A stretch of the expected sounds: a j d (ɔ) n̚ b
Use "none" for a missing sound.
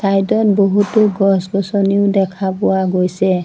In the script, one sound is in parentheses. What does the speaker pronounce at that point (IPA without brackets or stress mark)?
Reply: ɔ